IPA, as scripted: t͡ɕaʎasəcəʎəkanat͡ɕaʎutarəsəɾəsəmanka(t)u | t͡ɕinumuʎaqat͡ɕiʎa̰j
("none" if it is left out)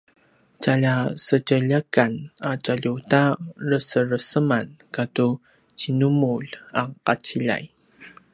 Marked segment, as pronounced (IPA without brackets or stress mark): t